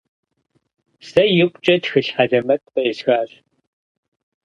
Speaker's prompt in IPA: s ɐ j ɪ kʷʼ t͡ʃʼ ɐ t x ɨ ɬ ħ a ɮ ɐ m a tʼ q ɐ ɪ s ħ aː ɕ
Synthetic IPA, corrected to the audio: s ɐ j ɪ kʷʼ t͡ʃʼ ɐ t x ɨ ɬ ħ a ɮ ɐ m ɐ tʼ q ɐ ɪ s x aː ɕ